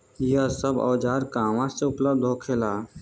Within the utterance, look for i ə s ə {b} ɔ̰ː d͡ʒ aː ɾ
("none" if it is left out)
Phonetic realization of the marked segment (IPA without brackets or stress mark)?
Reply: b